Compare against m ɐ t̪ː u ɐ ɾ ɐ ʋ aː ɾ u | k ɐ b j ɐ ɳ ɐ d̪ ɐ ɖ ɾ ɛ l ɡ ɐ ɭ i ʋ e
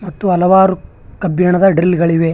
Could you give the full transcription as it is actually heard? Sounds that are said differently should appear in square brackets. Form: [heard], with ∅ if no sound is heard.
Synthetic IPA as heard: m ɐ t̪ː u ɐ [l] ɐ ʋ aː ɾ u | k ɐ b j ɐ ɳ ɐ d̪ ɐ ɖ ɾ [i] l ɡ ɐ ɭ i ʋ e